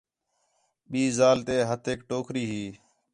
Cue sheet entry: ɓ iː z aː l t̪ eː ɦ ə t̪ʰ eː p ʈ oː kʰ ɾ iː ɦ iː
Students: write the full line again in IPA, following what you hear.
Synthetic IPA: ɓ iː z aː l t̪ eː ɦ ə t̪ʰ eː k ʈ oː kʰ ɾ iː ɦ iː